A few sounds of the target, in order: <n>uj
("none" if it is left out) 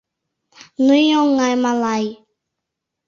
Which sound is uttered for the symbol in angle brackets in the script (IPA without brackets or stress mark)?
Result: n